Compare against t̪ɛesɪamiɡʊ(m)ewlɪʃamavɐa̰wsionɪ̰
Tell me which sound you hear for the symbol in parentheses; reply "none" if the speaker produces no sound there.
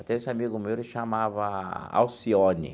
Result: m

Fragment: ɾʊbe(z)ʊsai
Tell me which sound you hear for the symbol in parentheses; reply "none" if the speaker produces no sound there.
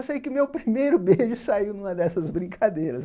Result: ʒ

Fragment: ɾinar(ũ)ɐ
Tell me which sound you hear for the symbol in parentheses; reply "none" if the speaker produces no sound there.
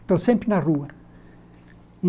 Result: u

